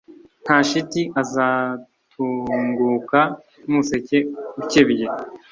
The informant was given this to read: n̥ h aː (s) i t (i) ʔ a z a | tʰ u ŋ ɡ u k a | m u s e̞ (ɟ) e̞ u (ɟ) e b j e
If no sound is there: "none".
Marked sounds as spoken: ʃ, i, c, c

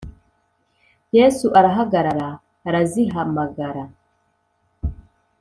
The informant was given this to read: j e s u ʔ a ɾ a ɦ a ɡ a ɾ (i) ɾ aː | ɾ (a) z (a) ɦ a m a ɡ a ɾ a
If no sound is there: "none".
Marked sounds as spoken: a, a, i

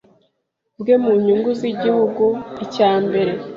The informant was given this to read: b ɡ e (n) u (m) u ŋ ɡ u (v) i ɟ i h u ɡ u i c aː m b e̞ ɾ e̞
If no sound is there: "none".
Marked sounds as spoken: m, ɲ, z

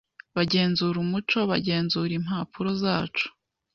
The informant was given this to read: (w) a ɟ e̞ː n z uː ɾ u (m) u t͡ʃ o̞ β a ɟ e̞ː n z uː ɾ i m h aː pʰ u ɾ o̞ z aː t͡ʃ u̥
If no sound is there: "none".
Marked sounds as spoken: β, m

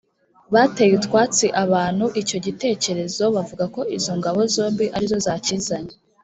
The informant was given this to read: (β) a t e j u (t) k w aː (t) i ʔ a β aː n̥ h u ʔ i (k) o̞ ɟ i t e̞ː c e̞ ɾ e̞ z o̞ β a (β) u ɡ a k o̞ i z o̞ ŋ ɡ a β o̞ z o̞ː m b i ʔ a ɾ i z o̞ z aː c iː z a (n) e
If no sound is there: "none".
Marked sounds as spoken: β, t, t͡s, c, v, ɲ

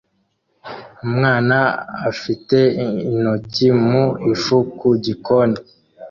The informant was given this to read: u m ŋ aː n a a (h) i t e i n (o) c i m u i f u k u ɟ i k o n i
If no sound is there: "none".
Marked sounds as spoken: f, o

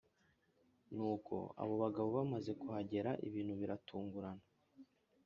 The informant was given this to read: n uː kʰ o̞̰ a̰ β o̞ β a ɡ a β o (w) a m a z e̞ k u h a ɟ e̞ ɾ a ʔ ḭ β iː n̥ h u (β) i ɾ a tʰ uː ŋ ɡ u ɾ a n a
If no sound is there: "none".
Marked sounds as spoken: β, β

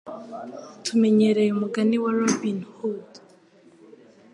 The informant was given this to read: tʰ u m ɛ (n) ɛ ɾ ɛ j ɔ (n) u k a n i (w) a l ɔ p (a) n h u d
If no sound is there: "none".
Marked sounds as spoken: ɲ, m, w, i

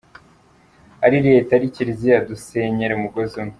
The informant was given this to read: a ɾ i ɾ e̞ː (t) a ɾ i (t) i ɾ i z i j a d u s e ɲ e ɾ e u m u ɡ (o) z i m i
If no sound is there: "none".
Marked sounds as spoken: t, c, o

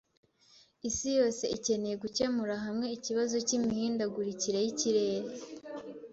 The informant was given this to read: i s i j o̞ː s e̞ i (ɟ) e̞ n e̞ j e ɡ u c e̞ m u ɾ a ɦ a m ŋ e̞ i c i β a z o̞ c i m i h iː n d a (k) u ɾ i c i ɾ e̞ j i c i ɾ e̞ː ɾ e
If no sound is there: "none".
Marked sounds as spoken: c, ɡ

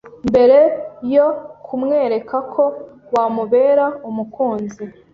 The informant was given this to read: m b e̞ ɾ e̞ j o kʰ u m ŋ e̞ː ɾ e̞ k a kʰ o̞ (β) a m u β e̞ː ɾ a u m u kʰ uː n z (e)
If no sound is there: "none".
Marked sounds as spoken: w, i

